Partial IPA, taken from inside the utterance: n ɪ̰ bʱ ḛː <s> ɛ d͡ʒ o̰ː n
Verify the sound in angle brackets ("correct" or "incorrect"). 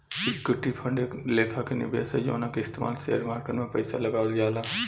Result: correct